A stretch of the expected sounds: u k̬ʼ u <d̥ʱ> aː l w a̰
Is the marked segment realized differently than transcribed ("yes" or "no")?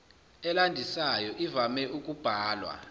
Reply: yes